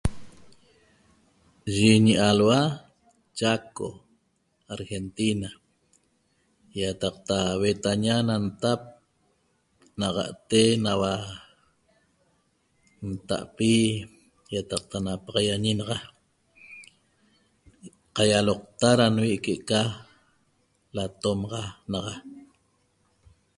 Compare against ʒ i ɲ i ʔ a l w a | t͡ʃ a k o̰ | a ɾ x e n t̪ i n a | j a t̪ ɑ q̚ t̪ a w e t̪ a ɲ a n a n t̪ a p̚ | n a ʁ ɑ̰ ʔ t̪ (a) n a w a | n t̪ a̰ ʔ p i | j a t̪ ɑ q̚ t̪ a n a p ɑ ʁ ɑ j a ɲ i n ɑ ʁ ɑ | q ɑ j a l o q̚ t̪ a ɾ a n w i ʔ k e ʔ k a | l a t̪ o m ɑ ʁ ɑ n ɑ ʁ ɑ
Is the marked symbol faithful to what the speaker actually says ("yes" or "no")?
no